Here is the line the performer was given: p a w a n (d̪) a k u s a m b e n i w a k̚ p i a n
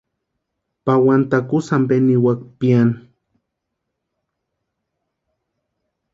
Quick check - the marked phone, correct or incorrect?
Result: incorrect